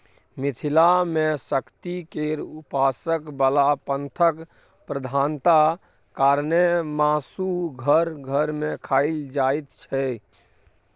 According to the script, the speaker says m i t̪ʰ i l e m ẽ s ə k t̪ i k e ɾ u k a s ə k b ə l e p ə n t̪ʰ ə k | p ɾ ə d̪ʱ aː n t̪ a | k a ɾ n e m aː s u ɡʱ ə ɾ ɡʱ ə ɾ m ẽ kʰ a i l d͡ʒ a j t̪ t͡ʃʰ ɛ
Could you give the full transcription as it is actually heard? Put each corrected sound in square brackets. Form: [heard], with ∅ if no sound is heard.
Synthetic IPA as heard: m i t̪ʰ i l [a] m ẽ s ə k t̪ i k e ɾ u [p] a s ə k b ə l [a] p ə n t̪ʰ ə k | p ɾ ə d̪ʱ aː n t̪ a | k a ɾ n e m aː s u ɡʱ ə ɾ ɡʱ ə ɾ m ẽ kʰ a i l d͡ʒ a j t̪ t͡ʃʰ ɛ